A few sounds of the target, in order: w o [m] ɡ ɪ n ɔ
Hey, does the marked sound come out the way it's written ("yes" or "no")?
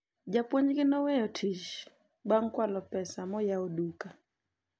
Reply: no